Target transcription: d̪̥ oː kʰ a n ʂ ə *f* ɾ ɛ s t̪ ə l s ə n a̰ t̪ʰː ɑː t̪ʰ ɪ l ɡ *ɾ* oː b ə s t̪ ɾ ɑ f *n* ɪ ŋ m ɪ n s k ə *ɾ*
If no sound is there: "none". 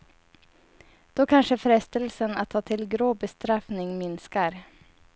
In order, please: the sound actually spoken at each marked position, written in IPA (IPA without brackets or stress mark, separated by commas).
f, ɾ, n, ɾ